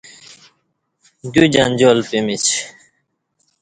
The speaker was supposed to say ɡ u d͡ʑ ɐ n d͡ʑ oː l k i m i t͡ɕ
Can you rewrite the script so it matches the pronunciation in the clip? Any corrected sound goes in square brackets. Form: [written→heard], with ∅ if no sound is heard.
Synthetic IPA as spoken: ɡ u d͡ʑ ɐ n d͡ʑ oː l [k→p] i m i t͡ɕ